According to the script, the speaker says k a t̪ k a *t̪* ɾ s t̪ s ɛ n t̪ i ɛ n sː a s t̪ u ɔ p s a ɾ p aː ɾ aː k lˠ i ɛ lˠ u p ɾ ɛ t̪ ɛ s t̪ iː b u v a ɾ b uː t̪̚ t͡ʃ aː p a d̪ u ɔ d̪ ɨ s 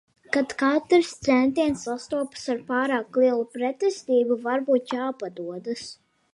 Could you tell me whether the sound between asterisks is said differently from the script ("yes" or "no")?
no